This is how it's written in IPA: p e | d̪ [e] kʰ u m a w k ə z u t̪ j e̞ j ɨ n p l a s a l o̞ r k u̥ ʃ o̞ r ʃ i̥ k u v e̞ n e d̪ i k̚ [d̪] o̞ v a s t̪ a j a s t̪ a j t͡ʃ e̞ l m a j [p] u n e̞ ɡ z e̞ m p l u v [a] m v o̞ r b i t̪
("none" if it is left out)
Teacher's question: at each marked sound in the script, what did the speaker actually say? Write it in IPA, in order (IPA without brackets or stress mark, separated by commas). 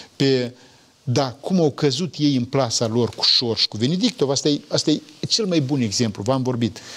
a, t̪, b, a